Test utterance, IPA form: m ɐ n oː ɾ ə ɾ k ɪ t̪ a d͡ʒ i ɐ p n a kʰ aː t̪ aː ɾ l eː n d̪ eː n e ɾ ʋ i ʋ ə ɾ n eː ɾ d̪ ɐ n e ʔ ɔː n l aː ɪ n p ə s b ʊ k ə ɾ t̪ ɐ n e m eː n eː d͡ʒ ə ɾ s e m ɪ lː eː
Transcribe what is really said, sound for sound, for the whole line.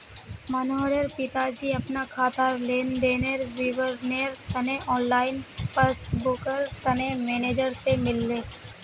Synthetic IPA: m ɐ n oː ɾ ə ɾ p ɪ t̪ a d͡ʒ i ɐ p n a kʰ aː t̪ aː ɾ l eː n d̪ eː n e ɾ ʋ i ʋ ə ɾ n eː ɾ t̪ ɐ n e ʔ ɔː n l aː ɪ n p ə s b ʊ k ə ɾ t̪ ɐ n e m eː n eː d͡ʒ ə ɾ s e m ɪ lː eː

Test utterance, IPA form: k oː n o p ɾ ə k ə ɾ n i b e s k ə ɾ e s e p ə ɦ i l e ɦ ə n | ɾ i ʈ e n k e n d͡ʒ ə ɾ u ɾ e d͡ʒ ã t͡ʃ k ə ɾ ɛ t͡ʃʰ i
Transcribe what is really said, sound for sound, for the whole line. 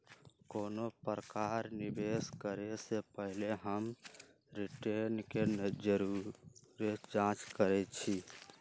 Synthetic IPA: k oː n o p ɾ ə k a ɾ n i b e s k ə ɾ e s e p ə ɦ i l e ɦ ə m | ɾ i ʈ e n k e n d͡ʒ ə ɾ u ɾ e d͡ʒ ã t͡ʃ k ə ɾ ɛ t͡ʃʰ i

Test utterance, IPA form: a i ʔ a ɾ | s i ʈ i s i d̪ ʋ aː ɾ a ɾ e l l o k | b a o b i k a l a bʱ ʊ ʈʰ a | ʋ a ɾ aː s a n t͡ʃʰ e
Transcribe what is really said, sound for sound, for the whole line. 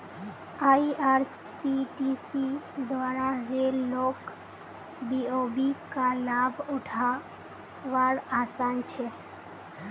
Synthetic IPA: a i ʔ a ɾ | s i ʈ i s i d̪ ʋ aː ɾ a ɾ e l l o k | b i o b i k a l a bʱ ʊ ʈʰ a | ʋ a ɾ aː s a n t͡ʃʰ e

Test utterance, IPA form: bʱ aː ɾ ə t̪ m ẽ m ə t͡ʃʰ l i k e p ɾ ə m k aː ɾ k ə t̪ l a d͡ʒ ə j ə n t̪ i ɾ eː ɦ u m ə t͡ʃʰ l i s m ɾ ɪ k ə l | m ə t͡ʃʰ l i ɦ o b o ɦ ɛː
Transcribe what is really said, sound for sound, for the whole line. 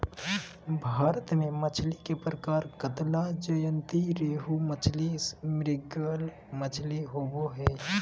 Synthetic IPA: bʱ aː ɾ ə t̪ m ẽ m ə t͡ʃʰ l i k e p ɾ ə k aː ɾ k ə t̪ l a d͡ʒ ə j ə n t̪ i ɾ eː ɦ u m ə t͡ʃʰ l i s m ɾ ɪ ɡ ə l | m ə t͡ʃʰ l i ɦ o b o ɦ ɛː

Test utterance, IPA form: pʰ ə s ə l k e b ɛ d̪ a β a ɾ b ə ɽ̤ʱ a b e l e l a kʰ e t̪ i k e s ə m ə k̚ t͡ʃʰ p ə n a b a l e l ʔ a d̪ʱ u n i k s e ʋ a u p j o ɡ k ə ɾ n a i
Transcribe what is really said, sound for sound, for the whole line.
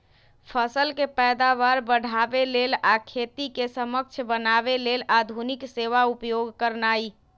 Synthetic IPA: pʰ ə s ə l k e p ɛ d̪ a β a ɾ b ə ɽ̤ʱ a b e l e l a kʰ e t̪ i k e s ə m ə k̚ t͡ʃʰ b ə n a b e l e l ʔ a d̪ʱ u n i k s e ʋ a u p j o ɡ k ə ɾ n a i

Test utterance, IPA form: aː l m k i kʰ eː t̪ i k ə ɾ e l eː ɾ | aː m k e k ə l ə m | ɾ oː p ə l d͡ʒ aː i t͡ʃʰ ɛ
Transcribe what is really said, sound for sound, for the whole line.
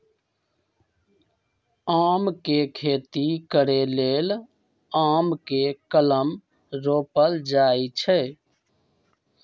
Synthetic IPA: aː m k e kʰ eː t̪ i k ə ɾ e l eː l | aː m k e k ə l ə m | ɾ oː p ə l d͡ʒ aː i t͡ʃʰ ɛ

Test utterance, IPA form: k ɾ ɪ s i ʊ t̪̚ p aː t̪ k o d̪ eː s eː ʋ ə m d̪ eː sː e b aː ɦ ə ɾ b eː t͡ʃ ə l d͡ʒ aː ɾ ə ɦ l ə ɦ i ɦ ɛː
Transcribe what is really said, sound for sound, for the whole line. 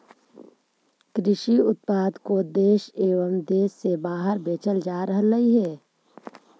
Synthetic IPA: k ɾ ɪ ʃ i ʊ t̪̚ p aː d̪ k o d̪ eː ʃ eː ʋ ə m d̪ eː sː e b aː ɦ ə ɾ b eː t͡ʃ ə l d͡ʒ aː ɾ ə ɦ l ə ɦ i ɦ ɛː

